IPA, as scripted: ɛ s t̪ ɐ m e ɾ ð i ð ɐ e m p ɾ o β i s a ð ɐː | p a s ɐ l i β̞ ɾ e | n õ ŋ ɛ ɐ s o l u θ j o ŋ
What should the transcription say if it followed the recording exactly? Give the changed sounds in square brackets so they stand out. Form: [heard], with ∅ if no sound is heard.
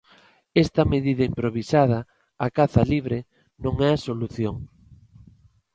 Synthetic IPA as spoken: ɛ s t̪ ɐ m e [∅] ð i ð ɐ [i] m p ɾ o β i s a ð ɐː | [k] a [θ] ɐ l i β̞ ɾ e | n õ ŋ ɛ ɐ s o l u θ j o ŋ